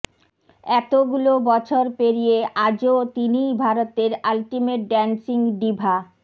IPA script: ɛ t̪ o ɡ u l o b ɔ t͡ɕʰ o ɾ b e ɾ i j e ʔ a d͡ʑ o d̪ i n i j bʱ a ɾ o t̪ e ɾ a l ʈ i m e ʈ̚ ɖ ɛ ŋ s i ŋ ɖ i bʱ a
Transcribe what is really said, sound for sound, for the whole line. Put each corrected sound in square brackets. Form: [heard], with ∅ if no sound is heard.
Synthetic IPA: ɛ t̪ o ɡ u l o b ɔ t͡ɕʰ o ɾ [p] e ɾ i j e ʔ a d͡ʑ o [t̪] i n i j bʱ a ɾ o t̪ e ɾ a l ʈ i m e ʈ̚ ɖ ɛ [n] s i ŋ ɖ i bʱ a